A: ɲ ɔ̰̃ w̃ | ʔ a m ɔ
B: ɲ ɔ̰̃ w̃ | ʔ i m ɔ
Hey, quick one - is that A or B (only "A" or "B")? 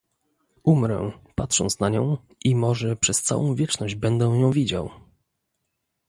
B